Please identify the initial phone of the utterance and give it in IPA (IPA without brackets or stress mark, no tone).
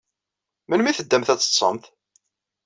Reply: m